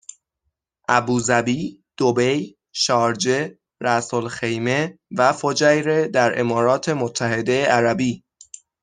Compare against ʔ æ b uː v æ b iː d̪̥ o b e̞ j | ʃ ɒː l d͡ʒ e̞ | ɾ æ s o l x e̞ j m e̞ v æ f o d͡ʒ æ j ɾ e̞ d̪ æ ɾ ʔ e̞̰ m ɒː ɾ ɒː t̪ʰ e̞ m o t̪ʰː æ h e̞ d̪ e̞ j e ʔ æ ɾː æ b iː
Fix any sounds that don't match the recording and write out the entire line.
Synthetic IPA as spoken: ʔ æ b uː z æ b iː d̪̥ o b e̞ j | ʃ ɒː ɾ d͡ʒ e̞ | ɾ æ s o l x e̞ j m e̞ v æ f o d͡ʒ æ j ɾ e̞ d̪ æ ɾ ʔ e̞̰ m ɒː ɾ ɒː t̪ʰ e̞ m o t̪ʰː æ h e̞ d̪ e̞ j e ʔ æ ɾ æ b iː